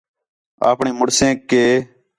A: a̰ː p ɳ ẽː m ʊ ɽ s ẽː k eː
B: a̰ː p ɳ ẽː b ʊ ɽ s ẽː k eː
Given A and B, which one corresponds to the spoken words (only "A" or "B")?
A